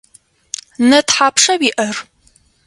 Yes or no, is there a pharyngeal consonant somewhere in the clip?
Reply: yes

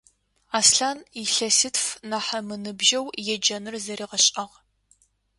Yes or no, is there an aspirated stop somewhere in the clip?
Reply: no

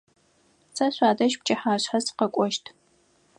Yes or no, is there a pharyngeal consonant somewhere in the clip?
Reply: yes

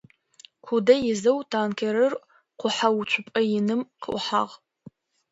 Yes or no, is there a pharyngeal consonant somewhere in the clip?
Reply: yes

